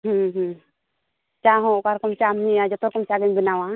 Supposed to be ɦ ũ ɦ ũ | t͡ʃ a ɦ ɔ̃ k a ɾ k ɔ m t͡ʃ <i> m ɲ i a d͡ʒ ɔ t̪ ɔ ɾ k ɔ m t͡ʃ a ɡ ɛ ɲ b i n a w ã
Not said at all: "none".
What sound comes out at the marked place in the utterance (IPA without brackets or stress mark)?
a